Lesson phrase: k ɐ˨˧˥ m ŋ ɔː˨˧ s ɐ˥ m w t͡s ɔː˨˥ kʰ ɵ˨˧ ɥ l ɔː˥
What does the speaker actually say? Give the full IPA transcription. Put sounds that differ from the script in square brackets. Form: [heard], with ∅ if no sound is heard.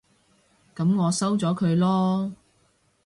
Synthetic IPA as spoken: k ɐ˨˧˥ m ŋ ɔː˨˧ s ɐ˥ [∅] w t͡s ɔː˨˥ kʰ ɵ˨˧ ɥ l ɔː˥